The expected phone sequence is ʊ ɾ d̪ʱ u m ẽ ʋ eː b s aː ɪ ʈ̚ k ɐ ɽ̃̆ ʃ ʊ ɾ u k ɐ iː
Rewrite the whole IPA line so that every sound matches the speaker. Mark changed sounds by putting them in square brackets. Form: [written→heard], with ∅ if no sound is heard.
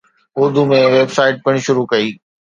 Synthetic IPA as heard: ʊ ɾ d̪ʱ u m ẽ ʋ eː b s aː ɪ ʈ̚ [k→p] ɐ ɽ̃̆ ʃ ʊ ɾ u k ɐ iː